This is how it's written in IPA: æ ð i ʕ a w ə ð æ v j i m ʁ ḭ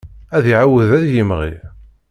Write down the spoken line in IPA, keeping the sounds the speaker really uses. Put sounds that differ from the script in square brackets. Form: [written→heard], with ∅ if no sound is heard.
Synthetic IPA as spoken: æ ð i ʕ a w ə ð æ [v→ð] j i m ʁ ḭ